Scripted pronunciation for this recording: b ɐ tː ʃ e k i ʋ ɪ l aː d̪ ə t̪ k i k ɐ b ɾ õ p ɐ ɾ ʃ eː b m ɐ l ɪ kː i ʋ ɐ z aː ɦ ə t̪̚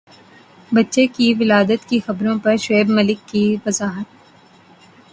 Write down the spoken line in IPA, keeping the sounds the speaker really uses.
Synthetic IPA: b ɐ tː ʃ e k i ʋ ɪ l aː d̪ ə t̪ k i x ɐ b ɾ õ p ɐ ɾ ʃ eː b m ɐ l ɪ kː i ʋ ɐ z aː ɦ ə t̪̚